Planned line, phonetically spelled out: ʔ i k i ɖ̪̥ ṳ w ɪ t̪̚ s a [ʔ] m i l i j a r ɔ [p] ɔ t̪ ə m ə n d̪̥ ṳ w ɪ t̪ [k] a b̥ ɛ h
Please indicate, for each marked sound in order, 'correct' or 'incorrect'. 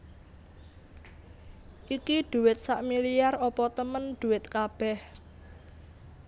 correct, correct, correct

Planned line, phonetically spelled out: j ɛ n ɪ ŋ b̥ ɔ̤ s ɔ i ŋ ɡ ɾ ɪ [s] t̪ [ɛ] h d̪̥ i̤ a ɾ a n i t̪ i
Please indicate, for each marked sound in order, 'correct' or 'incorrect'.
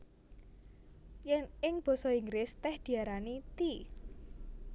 correct, correct

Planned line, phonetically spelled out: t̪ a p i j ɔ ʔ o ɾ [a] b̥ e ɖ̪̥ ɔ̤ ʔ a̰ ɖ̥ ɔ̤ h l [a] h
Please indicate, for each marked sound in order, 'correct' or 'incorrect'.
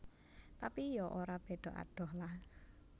correct, correct

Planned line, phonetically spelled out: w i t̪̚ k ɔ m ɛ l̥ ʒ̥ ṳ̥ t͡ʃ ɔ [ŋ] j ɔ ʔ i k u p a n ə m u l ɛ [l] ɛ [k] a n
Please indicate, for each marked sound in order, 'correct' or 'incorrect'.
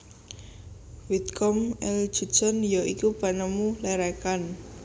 incorrect: n, incorrect: ɾ, correct

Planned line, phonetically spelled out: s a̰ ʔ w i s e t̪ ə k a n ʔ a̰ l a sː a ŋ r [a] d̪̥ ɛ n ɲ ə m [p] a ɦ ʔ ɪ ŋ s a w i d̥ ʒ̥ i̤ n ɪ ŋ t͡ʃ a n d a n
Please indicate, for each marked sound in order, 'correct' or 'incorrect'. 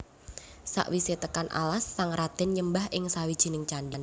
correct, incorrect: b

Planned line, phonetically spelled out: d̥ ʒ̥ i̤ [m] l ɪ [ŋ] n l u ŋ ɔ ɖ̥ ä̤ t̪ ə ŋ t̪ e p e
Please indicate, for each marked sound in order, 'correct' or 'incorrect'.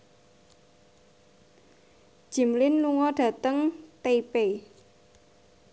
correct, incorrect: none

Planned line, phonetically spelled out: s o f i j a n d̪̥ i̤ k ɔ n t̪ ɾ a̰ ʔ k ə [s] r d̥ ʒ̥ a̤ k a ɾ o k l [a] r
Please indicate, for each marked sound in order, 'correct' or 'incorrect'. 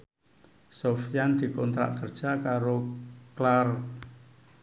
incorrect: none, correct

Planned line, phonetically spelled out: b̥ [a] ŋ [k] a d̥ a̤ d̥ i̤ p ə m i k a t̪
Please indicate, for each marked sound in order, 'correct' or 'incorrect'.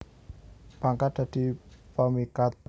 correct, correct

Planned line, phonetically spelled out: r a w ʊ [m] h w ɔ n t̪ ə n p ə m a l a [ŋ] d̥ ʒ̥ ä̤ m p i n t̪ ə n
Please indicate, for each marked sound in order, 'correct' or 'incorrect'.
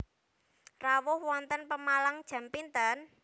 incorrect: none, correct

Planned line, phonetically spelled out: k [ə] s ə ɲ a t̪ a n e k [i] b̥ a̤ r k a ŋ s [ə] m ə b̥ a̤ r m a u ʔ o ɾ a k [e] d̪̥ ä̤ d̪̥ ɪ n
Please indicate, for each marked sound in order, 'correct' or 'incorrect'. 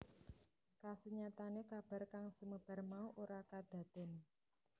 incorrect: a, incorrect: a, correct, incorrect: a

